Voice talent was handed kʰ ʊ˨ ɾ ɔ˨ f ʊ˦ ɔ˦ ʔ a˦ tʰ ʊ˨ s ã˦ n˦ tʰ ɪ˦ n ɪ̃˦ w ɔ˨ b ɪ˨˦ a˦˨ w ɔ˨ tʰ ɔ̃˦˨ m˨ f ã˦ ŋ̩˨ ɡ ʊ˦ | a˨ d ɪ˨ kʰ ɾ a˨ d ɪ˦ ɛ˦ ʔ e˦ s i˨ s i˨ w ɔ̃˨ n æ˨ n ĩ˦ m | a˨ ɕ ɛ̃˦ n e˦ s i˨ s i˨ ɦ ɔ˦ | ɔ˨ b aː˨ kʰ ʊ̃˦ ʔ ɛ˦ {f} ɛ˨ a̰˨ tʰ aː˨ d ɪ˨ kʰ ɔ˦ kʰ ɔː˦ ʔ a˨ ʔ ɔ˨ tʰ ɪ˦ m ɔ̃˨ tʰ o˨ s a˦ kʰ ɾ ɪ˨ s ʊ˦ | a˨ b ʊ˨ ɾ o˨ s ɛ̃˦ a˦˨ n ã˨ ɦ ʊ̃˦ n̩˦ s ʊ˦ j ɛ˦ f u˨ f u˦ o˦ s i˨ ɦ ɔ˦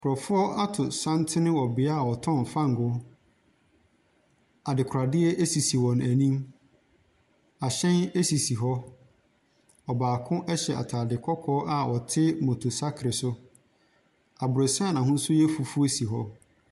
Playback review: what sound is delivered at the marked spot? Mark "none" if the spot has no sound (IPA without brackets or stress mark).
ɕ